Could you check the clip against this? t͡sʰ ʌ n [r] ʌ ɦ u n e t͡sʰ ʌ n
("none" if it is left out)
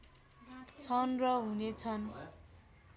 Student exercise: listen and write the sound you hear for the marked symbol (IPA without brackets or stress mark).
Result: r